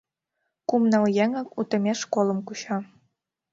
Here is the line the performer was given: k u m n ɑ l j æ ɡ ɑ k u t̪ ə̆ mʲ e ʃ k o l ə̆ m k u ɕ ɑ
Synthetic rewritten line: k u m n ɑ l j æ ŋ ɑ k u t̪ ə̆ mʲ e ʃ k o l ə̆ m k u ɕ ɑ